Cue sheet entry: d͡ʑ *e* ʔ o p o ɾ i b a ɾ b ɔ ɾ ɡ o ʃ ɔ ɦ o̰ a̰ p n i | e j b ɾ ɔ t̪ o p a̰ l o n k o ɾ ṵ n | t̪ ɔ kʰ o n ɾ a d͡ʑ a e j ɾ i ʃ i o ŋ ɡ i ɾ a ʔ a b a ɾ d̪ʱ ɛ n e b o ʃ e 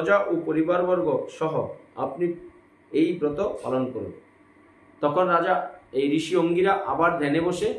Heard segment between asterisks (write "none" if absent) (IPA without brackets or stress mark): a